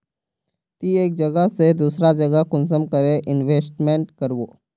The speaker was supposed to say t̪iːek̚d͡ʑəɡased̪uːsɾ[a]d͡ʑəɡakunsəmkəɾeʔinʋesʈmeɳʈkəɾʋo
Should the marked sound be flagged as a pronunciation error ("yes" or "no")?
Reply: no